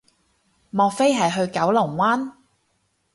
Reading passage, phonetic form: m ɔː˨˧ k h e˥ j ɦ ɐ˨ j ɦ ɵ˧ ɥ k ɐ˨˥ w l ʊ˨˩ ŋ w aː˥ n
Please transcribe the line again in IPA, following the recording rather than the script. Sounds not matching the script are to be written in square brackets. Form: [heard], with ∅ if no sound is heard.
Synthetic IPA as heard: m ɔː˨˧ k [f] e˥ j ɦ ɐ˨ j ɦ ɵ˧ ɥ k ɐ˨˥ w l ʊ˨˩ ŋ w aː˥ n